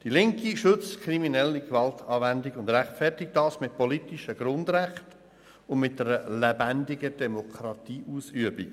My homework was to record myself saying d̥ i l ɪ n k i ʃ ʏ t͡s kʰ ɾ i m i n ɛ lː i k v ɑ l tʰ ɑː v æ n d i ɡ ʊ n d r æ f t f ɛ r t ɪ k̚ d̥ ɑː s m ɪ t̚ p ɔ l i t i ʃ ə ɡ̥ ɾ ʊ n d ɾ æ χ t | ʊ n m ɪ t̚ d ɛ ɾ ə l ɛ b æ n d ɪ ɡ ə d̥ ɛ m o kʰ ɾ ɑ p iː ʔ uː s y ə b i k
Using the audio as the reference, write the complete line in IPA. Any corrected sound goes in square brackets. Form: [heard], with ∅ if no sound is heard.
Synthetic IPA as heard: d̥ i l ɪ [ŋ] k i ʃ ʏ t͡s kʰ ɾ i m i n ɛ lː i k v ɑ l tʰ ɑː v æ n d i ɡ ʊ n d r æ [χ] t f ɛ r t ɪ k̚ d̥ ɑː s m ɪ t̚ p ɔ l i t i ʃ ə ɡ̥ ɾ ʊ n d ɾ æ χ t | ʊ n m ɪ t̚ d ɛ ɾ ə l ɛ b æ n d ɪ ɡ ə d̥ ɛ m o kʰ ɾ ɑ [t] iː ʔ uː s y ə b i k